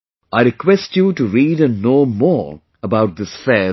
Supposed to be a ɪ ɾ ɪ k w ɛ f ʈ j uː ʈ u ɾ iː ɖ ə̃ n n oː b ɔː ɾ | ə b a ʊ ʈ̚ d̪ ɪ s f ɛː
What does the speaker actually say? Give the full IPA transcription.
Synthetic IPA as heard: a ɪ ɾ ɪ k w ɛ s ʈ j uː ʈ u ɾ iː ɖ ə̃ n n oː m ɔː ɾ | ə b a ʊ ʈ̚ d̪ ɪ s f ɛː